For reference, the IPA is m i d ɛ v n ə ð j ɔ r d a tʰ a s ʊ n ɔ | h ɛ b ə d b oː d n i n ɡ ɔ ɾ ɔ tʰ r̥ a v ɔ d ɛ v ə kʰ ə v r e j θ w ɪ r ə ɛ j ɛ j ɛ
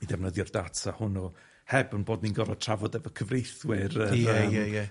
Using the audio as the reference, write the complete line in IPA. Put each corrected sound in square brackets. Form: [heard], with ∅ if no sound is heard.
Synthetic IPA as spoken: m i d ɛ v n ə ð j ɔ r d a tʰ a [h] ʊ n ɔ | h ɛ b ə [n] b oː d n i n ɡ ɔ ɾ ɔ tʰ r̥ a v ɔ d ɛ v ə kʰ ə v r e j θ w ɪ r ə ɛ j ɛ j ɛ